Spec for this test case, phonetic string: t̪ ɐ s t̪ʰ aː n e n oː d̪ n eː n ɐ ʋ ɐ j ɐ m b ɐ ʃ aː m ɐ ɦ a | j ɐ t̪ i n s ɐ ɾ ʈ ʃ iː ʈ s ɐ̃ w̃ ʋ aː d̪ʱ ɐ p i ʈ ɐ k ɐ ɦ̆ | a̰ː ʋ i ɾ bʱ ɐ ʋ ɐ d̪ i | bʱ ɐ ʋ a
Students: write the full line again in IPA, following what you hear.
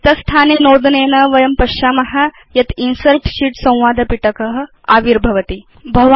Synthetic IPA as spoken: t̪ ɐ s t̪ʰ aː n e n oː d̪ n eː n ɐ ʋ ɐ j ɐ m p ɐ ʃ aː m ɐ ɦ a | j ɐ t̪ i n s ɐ ɾ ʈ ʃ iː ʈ s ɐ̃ w̃ ʋ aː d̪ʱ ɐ p i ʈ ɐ k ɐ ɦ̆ | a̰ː ʋ i ɾ bʱ ɐ ʋ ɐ t̪ i | bʱ ɐ ʋ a